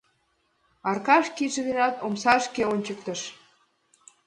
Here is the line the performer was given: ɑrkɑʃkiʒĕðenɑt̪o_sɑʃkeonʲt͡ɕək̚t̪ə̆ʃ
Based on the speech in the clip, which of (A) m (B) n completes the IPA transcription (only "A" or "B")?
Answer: A